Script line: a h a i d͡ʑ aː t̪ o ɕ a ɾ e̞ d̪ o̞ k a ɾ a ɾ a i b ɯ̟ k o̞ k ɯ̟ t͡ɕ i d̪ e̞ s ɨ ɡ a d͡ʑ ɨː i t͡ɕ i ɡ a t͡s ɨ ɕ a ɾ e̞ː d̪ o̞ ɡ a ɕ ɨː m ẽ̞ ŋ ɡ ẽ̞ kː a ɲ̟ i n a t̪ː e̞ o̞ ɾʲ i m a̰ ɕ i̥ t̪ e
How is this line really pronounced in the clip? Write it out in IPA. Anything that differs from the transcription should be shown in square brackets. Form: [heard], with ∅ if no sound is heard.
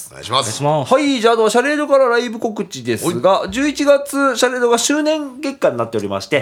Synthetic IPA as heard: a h a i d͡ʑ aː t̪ o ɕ a ɾ e̞ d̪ o̞ k a ɾ a ɾ a i b ɯ̟ k o̞ k ɯ̟ t͡ɕ i d̪ e̞ s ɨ ɡ a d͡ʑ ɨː i t͡ɕ i ɡ a t͡s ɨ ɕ a ɾ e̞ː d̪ o̞ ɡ a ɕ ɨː [n] ẽ̞ ŋ ɡ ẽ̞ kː a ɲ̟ i n a t̪ː e̞ o̞ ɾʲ i m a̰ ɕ i̥ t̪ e